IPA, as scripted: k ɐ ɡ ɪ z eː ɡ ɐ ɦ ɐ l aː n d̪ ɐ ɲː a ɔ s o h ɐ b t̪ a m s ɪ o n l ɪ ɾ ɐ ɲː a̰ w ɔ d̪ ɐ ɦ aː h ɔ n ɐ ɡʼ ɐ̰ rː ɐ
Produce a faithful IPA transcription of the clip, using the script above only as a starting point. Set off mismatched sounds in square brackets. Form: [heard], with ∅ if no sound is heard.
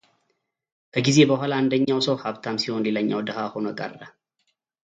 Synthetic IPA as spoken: k ɐ ɡ ɪ z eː [b] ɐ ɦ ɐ l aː n d̪ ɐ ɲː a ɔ s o h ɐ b t̪ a m s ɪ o n l ɪ [l] ɐ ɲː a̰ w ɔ d̪ ɐ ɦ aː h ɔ n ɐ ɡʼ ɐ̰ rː ɐ

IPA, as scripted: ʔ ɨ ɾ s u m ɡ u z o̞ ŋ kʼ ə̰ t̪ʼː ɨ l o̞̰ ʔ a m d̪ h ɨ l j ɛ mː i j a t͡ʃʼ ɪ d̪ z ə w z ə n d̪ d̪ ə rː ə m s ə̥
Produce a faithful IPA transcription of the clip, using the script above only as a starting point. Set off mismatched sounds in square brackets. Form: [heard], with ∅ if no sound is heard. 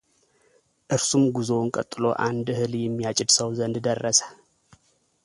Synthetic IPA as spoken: ʔ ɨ ɾ s u m ɡ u z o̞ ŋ kʼ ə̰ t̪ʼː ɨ l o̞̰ ʔ a [n] d̪ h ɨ l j ɛ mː i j a t͡ʃʼ ɪ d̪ [s] ə w z ə n d̪ d̪ ə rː ə [∅] s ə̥

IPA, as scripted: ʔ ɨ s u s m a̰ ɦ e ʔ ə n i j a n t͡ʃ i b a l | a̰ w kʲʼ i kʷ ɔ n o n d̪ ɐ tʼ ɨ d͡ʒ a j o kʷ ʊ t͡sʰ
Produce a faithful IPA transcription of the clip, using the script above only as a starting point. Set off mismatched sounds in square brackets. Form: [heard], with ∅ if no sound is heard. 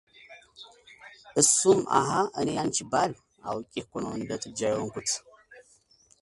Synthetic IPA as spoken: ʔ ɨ s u [∅] m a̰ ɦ [a] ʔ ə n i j a n t͡ʃ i b a l | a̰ w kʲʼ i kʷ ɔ n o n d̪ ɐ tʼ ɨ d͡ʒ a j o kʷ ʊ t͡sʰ

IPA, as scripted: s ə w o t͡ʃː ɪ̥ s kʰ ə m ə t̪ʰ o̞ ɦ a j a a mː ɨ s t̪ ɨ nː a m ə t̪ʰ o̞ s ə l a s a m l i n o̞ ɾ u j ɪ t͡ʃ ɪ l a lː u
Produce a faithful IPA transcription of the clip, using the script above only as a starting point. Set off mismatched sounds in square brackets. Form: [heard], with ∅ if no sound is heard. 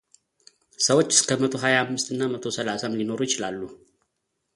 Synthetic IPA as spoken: s ə w o t͡ʃː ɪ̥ s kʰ ə m ə t̪ʰ o̞ ɦ a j a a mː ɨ s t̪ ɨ nː a m ə t̪ʰ o̞ s ə l a s a m l i n o̞ ɾ u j ɪ t͡ʃ ɪ l a lː u

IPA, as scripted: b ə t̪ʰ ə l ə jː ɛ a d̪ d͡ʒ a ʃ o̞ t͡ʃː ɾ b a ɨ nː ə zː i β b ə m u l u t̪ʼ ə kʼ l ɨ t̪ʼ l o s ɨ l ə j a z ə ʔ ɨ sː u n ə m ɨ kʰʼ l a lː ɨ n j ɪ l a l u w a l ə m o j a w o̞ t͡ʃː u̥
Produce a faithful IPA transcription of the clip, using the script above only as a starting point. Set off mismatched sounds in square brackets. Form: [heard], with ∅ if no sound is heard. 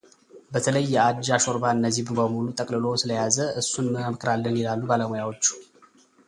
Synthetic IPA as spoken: b ə t̪ʰ ə l ə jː ɛ a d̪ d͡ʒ a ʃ o̞ [∅] ɾ b a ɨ nː ə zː i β b ə m u l u t̪ʼ ə kʼ l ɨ [∅] l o s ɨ l ə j a z ə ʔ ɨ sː u n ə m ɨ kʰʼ [ɾ] a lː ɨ n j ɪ l a [lː] u [b] a l ə m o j a w o̞ t͡ʃː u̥

